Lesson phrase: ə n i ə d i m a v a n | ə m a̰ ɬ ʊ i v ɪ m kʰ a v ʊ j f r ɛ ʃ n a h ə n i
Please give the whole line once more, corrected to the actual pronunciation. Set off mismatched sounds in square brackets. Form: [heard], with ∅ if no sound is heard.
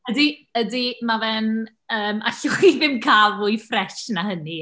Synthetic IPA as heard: ə [d] i ə d i m a v [ɛ] n | [əː] m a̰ ɬ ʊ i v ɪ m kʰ a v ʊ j f r ɛ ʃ n a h ə n i